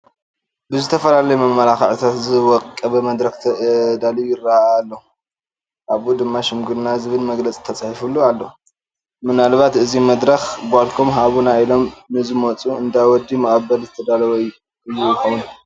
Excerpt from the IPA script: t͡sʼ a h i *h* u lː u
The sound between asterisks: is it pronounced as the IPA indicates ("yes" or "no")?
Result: no